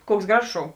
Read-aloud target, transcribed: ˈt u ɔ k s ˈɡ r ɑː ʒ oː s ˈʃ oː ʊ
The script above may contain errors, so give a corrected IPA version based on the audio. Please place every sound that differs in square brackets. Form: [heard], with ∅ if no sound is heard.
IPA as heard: [ˈk] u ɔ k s ˈɡ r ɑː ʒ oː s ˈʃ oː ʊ